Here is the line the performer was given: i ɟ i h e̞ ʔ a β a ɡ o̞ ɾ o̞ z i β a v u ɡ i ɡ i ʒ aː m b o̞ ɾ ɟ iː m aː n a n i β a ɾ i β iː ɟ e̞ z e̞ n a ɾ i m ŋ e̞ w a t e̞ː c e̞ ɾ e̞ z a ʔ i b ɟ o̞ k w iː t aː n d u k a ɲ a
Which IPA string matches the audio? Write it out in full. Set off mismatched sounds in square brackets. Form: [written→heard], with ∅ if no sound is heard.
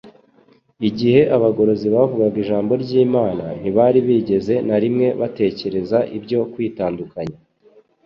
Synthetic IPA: i ɟ i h e̞ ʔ a β a ɡ o̞ ɾ o̞ z i β a v u ɡ [i→a] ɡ i ʒ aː m b o̞ ɾ ɟ iː m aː n a n i β a ɾ i β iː ɟ e̞ z e̞ n a ɾ i m ŋ e̞ [w→β] a t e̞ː c e̞ ɾ e̞ z a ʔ i b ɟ o̞ k w iː t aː n d u k a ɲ a

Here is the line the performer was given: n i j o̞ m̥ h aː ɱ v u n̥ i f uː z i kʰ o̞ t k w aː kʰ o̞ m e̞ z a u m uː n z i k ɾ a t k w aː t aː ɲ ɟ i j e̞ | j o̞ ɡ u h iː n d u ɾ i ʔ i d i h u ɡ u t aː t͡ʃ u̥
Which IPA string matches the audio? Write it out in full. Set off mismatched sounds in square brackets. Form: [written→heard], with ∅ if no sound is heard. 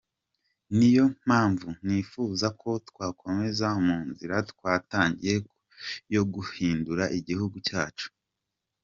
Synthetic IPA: n i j o̞ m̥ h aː ɱ v u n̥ i f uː z [i→a] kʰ o̞ t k w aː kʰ o̞ m e̞ z a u m uː n z i [k→∅] ɾ a t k w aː t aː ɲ ɟ i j e̞ | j o̞ ɡ u h iː n d u ɾ [i→a] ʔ i [d→ɟ] i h u ɡ u [t→c] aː t͡ʃ u̥

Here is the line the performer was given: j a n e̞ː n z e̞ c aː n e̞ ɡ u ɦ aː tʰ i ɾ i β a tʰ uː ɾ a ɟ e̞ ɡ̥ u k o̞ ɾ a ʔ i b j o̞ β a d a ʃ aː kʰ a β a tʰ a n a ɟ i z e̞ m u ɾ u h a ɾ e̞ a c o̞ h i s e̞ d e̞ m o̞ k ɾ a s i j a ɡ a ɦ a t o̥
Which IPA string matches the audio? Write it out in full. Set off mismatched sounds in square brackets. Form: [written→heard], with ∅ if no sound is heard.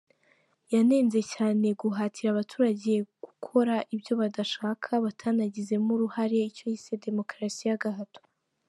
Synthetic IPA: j a n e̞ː n z e̞ c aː n e̞ ɡ u ɦ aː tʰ i ɾ [i→a] β a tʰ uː ɾ a ɟ e̞ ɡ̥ u [k→kʰ] o̞ ɾ a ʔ i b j o̞ β a d a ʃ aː kʰ a β a tʰ a n a ɟ i z e̞ m u ɾ u h a ɾ e̞ [a→i] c o̞ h i s e̞ d e̞ m o̞ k ɾ a s i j a ɡ a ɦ a t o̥

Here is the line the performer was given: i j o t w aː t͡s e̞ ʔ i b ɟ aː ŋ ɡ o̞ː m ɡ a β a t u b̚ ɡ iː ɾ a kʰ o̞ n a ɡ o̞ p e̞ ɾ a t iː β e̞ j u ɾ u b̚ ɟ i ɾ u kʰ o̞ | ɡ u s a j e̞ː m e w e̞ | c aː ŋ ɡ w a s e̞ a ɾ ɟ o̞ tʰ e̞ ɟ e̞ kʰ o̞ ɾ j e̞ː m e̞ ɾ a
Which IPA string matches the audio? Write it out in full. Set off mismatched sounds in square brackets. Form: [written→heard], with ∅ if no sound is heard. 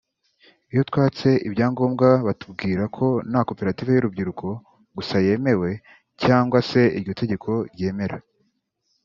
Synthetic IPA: i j o t w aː t͡s e̞ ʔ i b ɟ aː ŋ ɡ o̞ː m ɡ a β a t u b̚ ɡ iː ɾ a kʰ o̞ n a [ɡ→k] o̞ p e̞ ɾ a t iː [β→v] e̞ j u ɾ u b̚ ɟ i ɾ u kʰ o̞ | ɡ u s a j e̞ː m e w e̞ | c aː ŋ ɡ w a s e̞ [a→i] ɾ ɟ o̞ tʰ e̞ ɟ e̞ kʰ o̞ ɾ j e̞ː m e̞ ɾ a

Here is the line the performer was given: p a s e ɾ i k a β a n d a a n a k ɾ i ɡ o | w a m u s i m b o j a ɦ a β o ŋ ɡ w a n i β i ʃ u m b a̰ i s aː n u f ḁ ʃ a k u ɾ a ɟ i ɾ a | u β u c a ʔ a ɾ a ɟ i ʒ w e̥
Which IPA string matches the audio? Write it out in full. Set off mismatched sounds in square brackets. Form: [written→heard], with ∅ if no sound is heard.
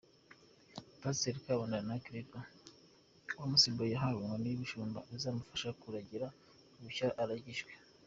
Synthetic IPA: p a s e ɾ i k a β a n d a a n a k ɾ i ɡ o | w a m u s i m b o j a ɦ a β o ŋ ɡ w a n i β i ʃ [u→uː] m b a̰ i [s→z] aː [n→m] u f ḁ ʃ a k u ɾ a ɟ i ɾ a | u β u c a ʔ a ɾ a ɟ i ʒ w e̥

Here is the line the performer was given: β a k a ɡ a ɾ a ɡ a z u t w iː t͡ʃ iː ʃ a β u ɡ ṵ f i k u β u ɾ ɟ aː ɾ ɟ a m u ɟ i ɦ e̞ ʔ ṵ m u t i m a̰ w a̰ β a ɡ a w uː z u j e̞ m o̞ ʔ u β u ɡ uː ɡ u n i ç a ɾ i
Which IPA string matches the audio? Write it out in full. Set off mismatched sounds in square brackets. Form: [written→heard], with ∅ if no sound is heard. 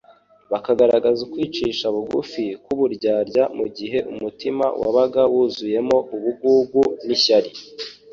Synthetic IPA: β a k a ɡ a ɾ a ɡ a z u [t→k] w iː t͡ʃ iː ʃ a β u ɡ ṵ f i k u β u ɾ ɟ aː ɾ ɟ a m u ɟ i ɦ e̞ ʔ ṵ m u t i m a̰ w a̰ β a ɡ a w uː z u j e̞ m o̞ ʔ u β u ɡ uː ɡ u n i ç a ɾ i

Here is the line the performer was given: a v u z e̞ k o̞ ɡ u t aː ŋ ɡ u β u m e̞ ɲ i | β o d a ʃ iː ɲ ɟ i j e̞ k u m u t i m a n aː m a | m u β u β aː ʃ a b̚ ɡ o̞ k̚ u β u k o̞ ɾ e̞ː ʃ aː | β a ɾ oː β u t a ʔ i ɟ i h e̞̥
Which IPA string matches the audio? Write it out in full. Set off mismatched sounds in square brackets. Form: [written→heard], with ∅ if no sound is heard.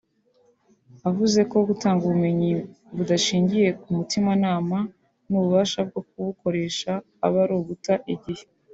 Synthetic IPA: a v u z e̞ k o̞ ɡ u t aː ŋ ɡ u β u m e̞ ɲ i | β [o→u] d a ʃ iː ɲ ɟ i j e̞ k u m u t i m a n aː m a | [m→n] u β u β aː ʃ a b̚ ɡ o̞ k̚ u β u k o̞ ɾ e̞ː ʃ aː | β a ɾ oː β u t a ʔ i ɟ i h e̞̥

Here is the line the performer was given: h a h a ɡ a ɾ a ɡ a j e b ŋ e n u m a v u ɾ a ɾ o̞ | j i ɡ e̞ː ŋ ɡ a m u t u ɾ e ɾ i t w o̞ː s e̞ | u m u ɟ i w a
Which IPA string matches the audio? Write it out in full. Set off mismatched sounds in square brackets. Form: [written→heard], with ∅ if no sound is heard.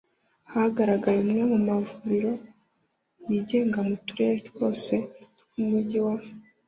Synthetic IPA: h a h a ɡ a ɾ a ɡ a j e [b→m] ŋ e [n→m] u m a v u ɾ [a→i] ɾ o̞ | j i [ɡ→ɟ] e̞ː ŋ ɡ a m u t u ɾ e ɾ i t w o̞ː s e̞ | u m u ɟ i w a

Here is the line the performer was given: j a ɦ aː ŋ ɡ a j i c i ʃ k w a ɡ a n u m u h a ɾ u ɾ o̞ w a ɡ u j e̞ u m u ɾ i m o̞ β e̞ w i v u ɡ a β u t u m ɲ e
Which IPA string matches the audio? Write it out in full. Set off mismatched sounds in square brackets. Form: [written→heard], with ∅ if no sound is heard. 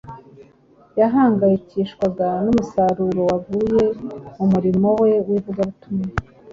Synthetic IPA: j a ɦ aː ŋ ɡ a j i c i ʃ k w a ɡ a n u m u [h→s] a ɾ u ɾ o̞ w a ɡ u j e̞ u m u ɾ i m o̞ [β→w] e̞ w i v u ɡ a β u t u m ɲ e

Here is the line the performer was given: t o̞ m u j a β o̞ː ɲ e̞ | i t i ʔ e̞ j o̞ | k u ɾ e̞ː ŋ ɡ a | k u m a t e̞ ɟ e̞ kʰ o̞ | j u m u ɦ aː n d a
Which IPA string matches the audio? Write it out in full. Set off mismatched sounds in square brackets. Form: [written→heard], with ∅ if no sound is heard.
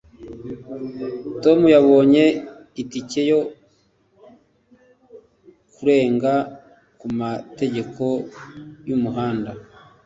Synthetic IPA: t o̞ m u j a β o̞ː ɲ e̞ | i t i [ʔ→c] e̞ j o̞ | k u ɾ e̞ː ŋ ɡ a | k u m a t e̞ ɟ e̞ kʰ o̞ | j u m u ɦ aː n d a

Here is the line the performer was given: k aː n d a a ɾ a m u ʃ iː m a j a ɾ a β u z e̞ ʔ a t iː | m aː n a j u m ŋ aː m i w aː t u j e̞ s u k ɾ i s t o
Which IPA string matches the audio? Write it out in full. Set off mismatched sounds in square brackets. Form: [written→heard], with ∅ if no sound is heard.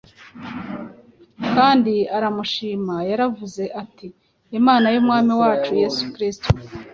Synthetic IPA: k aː n d [a→i] a ɾ a m u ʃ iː m a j a ɾ a [β→v] u z e̞ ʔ a t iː | m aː n a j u m ŋ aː m i w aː [t→t͡ʃ] u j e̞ s u k ɾ i s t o

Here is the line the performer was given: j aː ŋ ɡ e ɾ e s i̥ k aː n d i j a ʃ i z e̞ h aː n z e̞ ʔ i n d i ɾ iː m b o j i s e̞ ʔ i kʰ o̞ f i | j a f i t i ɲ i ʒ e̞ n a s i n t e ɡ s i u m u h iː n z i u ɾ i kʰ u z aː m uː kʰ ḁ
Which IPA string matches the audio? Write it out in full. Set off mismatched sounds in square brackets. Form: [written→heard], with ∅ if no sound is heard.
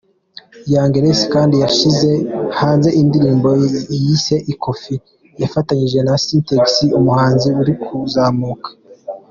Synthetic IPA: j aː ŋ ɡ e ɾ e s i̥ k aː n d i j a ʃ i z e̞ h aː n z e̞ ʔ i n d i ɾ iː m b o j i s e̞ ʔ i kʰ o̞ f i | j a f [i→a] t [i→a] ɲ i ʒ e̞ n a s i n t e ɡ s i u m u h [iː→aː] n z i u ɾ i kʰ u z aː m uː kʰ ḁ

